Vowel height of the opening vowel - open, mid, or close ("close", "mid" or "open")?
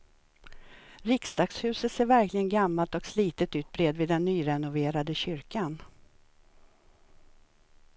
close